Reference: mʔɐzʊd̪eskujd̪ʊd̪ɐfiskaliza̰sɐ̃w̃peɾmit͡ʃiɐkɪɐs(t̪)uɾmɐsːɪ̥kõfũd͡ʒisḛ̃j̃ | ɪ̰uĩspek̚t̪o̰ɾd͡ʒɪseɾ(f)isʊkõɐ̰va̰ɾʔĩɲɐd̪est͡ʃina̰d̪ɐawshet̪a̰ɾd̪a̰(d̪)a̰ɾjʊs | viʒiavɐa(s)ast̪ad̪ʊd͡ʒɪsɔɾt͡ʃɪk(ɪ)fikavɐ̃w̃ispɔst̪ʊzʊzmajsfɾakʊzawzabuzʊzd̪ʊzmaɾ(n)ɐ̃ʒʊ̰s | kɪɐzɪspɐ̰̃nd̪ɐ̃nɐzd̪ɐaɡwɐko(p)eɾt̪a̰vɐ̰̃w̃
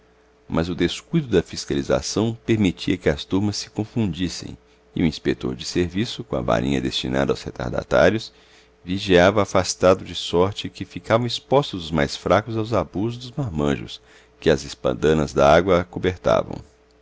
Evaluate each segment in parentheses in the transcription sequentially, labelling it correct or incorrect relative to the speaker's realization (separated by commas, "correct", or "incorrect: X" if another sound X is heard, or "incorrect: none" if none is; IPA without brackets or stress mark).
correct, incorrect: v, incorrect: t̪, incorrect: f, correct, incorrect: m, incorrect: b